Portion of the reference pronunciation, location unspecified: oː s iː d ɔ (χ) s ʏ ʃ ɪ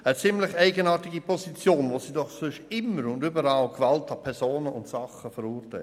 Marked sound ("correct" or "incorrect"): correct